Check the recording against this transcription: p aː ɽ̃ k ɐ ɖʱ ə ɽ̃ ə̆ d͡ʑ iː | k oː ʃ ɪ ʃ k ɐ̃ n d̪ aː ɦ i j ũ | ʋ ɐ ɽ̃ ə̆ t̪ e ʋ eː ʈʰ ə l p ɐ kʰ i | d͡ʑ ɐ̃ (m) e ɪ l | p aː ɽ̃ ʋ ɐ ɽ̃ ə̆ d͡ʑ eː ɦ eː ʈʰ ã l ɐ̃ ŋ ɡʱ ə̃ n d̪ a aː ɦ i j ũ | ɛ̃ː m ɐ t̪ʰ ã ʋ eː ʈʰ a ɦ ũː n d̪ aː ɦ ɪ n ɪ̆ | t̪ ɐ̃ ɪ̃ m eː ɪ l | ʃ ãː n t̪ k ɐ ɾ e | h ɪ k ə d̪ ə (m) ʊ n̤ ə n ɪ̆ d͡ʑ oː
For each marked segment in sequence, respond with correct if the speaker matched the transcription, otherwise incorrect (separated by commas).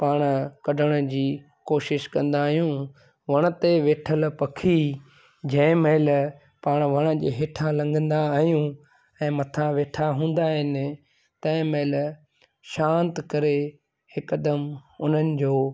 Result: correct, correct